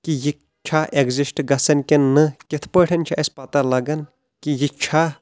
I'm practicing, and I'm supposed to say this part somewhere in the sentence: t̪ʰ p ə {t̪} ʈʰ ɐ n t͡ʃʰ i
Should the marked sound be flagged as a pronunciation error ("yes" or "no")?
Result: yes